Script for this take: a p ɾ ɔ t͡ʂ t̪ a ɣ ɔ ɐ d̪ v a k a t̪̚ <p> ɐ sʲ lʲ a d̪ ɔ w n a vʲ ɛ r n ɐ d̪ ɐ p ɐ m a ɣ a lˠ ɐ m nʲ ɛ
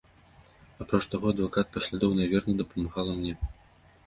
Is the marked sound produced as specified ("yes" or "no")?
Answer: yes